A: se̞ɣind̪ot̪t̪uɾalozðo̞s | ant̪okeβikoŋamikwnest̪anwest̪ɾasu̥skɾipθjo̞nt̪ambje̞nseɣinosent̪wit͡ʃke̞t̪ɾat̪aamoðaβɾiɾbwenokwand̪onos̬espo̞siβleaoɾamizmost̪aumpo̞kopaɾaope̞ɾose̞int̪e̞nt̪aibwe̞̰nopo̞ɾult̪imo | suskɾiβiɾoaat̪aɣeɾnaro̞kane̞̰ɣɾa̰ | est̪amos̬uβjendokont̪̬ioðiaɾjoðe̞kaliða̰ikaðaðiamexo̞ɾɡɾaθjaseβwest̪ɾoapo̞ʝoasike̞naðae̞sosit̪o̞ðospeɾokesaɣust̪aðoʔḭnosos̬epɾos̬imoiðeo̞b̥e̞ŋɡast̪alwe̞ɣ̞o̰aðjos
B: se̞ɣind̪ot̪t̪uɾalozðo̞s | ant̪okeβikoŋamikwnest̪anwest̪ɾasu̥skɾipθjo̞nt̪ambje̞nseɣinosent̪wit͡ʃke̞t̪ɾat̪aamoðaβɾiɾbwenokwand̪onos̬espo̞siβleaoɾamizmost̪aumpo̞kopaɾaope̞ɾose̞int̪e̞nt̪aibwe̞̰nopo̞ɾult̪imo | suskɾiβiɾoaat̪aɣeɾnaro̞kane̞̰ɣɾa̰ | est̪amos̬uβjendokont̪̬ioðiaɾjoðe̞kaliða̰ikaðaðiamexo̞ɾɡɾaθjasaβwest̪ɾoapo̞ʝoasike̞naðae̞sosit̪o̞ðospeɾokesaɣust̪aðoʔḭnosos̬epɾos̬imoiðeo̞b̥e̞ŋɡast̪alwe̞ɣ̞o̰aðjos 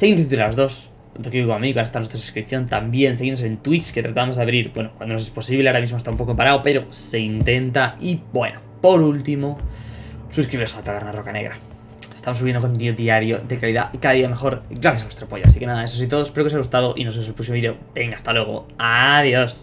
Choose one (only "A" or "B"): B